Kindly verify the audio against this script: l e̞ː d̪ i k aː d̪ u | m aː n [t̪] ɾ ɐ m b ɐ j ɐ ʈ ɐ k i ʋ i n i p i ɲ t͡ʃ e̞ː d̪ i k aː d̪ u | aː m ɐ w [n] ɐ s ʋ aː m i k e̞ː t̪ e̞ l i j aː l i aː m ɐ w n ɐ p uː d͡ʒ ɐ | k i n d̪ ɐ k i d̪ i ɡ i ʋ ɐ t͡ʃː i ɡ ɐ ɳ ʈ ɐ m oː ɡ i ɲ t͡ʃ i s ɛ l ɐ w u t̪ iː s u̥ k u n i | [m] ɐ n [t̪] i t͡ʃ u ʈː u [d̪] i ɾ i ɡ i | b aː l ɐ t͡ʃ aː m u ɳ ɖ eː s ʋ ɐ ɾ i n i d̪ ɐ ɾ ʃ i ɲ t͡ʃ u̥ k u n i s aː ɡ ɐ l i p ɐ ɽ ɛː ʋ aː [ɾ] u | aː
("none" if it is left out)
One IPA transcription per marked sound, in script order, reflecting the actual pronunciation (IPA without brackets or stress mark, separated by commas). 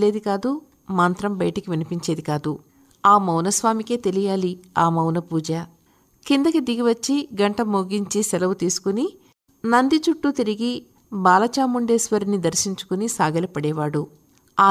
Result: t̪, n, n, d̪, t̪, ɽ